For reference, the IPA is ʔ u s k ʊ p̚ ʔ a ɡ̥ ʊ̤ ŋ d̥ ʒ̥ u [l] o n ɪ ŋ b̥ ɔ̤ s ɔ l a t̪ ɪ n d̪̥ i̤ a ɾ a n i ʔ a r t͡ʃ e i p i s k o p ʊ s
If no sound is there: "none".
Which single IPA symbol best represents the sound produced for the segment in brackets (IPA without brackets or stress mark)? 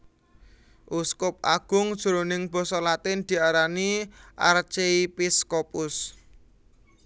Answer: ɾ